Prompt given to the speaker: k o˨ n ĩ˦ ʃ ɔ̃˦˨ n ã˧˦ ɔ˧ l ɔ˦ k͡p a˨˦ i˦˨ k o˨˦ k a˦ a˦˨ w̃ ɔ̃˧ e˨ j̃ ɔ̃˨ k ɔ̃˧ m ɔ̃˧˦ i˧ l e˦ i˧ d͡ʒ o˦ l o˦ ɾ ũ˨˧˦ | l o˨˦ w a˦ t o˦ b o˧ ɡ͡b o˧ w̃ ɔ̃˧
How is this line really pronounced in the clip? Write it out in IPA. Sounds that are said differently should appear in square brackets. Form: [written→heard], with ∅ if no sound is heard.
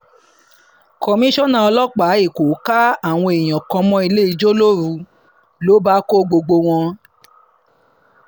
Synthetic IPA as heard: k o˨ [n→m] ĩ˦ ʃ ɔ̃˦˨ n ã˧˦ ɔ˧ l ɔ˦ k͡p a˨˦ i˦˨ k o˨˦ k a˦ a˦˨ w̃ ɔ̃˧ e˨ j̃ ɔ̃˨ k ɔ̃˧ m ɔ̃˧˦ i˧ l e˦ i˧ d͡ʒ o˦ l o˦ ɾ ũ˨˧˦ | l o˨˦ [w→b] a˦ [t→k] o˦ [b→ɡ͡b] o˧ ɡ͡b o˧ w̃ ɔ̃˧